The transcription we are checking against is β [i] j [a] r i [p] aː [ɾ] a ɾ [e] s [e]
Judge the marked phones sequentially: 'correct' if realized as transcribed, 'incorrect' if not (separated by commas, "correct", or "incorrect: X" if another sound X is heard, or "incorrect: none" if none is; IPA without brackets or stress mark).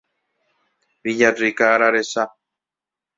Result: correct, correct, incorrect: k, correct, correct, incorrect: a